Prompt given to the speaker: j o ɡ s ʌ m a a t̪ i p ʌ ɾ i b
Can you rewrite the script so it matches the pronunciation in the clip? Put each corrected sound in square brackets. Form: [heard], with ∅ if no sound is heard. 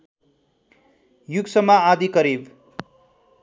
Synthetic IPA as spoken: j [u] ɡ s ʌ m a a [d̪] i [k] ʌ ɾ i b